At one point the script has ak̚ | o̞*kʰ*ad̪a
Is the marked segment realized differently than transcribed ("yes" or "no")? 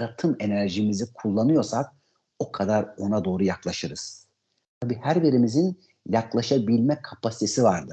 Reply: no